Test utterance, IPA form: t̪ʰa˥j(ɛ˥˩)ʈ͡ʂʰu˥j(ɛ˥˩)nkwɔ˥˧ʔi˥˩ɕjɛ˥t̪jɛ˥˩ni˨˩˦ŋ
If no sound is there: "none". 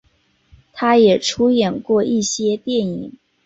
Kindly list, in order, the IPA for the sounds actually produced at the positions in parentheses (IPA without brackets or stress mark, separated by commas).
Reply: ɛ˨˩, ɛ˨˩